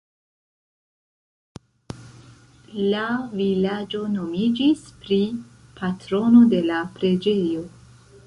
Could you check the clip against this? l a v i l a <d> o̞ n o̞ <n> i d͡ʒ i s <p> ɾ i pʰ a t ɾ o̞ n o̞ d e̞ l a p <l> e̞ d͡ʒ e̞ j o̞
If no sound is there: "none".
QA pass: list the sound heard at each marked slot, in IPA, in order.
d͡ʒ, m, p, ɾ

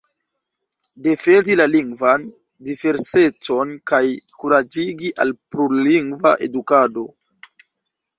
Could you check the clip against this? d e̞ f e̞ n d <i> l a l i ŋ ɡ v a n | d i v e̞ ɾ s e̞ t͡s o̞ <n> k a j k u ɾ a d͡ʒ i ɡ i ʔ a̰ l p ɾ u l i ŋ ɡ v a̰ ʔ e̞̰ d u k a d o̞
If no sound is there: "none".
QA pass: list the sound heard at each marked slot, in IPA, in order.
i, n

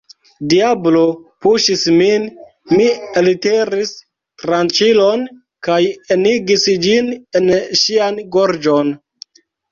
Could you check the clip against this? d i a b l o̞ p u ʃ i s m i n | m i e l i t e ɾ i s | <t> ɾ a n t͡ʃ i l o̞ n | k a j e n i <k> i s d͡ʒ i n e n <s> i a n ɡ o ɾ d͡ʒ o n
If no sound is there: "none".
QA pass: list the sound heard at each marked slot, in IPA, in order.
t, ɡ, ʃ

